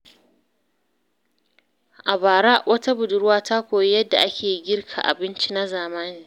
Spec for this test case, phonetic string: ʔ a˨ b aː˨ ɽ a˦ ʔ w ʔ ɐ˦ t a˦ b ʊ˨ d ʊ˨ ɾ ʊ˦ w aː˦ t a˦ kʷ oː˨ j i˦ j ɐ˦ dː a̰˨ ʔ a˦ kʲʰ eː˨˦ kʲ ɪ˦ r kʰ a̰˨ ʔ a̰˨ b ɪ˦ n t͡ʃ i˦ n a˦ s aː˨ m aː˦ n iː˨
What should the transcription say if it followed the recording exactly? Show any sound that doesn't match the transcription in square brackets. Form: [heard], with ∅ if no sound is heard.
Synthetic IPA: ʔ a˨ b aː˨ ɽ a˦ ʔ w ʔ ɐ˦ t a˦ b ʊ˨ d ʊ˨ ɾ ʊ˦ w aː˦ t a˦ kʷ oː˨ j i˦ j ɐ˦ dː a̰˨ ʔ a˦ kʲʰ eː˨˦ [ɡʲ] ɪ˦ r kʰ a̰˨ ʔ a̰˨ b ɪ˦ n t͡ʃ i˦ n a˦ [z] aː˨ m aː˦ n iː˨